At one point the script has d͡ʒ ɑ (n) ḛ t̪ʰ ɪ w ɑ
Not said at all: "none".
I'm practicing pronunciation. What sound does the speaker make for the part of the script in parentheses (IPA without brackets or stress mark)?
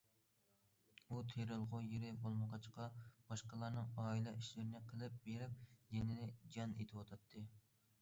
n